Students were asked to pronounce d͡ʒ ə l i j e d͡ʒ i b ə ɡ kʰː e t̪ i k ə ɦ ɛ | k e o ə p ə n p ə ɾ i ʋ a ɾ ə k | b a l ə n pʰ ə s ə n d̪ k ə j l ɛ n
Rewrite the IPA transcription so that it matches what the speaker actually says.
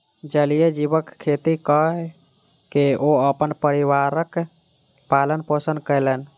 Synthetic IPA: d͡ʒ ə l i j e d͡ʒ i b ə k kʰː e t̪ i k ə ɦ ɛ | k e o ə p ə n p ə ɾ i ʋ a ɾ ə k | p a l ə n p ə s ə n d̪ k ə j l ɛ n